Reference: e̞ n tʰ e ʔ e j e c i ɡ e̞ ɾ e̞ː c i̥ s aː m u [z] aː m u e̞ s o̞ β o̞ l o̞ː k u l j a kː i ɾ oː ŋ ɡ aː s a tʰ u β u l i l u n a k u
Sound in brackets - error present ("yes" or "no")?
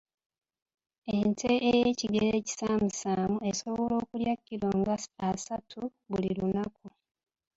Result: yes